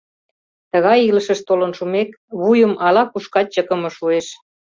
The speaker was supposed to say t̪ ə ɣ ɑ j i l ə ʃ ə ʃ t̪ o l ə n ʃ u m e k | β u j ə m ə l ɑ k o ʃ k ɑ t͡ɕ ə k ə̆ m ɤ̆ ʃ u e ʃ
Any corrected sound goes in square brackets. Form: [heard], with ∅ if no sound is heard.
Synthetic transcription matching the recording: t̪ ə ɣ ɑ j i l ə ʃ ə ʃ t̪ o l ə n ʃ u m e k | β u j ə m [ɑ] l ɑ k [u] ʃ k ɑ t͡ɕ ə k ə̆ m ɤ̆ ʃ u e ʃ